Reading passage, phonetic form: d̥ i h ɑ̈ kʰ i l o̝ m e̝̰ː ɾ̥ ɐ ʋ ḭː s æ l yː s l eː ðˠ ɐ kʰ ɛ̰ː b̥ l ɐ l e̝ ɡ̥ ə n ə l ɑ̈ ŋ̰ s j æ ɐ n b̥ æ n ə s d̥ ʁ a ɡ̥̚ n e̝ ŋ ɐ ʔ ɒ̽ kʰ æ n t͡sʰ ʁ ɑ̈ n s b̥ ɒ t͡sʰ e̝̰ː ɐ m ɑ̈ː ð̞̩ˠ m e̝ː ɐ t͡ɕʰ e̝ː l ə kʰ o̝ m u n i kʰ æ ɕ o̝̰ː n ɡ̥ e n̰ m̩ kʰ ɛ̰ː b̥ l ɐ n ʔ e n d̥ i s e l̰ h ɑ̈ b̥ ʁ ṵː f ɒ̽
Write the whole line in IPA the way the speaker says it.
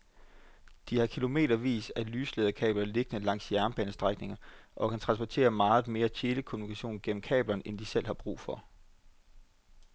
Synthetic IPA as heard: d̥ i h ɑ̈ kʰ i l o̝ m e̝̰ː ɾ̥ ɐ ʋ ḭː s æ l yː s l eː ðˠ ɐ kʰ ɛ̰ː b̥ l ɐ l e̝ ɡ̥ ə n ə l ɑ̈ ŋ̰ s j æ ɐ n b̥ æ n ə s d̥ ʁ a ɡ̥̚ n e̝ ŋ ɐ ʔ ɒ̽ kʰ æ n t͡sʰ ʁ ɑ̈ n s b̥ ɒ t͡sʰ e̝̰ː ɐ m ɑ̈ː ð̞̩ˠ m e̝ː ɐ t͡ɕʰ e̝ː l ə kʰ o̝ m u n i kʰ æ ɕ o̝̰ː n ɡ̥ e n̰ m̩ kʰ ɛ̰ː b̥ l ɐ n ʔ e n d̥ i s e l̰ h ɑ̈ b̥ ʁ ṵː f ɒ̽